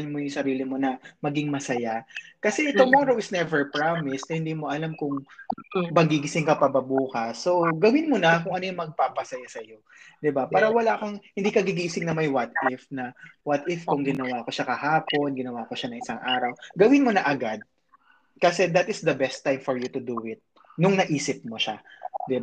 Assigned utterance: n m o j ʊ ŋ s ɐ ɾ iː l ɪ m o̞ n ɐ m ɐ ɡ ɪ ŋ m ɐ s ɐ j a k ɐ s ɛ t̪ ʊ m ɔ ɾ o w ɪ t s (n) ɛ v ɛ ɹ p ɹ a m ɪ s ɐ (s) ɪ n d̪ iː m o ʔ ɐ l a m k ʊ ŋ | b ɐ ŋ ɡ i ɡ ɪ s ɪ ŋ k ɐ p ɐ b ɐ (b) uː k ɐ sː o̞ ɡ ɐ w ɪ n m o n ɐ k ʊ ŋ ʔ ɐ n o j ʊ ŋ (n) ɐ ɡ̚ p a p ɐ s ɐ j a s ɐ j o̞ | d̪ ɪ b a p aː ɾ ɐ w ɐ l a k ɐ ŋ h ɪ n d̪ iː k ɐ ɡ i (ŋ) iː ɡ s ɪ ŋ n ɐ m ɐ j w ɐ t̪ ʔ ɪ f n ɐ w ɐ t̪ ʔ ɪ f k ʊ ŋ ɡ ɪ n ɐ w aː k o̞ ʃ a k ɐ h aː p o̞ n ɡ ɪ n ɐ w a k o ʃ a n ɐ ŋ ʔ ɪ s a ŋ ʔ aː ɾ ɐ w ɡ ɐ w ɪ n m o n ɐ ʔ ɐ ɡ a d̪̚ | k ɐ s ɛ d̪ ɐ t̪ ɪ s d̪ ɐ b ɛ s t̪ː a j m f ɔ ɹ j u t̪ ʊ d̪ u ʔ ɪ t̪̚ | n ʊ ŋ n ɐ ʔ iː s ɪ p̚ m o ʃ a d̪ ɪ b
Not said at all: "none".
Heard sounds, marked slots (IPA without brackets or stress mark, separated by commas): n, h, b, m, ɡ